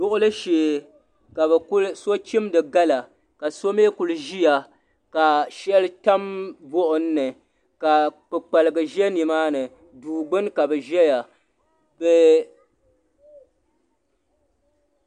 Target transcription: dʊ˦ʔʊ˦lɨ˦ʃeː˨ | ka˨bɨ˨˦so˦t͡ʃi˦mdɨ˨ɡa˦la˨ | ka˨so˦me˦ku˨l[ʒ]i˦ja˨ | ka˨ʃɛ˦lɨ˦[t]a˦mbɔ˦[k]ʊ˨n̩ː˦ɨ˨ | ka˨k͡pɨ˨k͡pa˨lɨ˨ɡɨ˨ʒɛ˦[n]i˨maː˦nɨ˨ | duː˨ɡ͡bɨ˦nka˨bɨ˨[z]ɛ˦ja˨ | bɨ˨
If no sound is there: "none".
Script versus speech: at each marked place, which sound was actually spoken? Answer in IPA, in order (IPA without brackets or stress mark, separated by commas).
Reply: ʒ, t, ʔ, n, ʒ